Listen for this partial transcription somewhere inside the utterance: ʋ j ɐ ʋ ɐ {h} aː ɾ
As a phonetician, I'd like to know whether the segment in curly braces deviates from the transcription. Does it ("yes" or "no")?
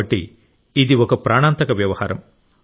no